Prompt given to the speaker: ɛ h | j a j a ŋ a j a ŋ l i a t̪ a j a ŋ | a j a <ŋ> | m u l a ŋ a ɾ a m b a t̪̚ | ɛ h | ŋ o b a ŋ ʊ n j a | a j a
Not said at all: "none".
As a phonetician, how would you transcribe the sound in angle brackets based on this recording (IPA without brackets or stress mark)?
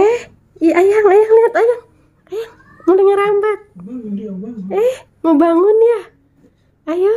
ŋ